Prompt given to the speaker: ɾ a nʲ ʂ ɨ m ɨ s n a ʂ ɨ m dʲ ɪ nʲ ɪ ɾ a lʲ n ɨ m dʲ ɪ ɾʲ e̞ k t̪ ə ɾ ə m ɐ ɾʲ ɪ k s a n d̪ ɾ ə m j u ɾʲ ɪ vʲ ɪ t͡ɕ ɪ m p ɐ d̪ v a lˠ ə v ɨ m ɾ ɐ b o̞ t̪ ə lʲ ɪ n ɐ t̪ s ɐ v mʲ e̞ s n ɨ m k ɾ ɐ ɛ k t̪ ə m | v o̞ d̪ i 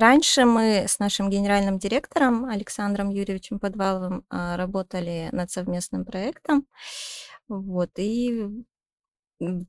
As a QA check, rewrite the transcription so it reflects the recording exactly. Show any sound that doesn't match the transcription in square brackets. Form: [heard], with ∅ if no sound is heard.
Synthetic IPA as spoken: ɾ a nʲ ʂ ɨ m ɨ s n a ʂ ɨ m [ɡʲ] ɪ nʲ ɪ ɾ a lʲ n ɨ m dʲ ɪ ɾʲ e̞ k t̪ ə ɾ ə m ɐ [lʲ] ɪ k s a n d̪ ɾ ə m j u ɾʲ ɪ vʲ ɪ t͡ɕ ɪ m p ɐ d̪ v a lˠ ə v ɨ m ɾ ɐ b o̞ t̪ ə lʲ ɪ n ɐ t̪ s ɐ v mʲ e̞ s n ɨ m [p] ɾ ɐ ɛ k t̪ ə m | v o̞ [t̪] i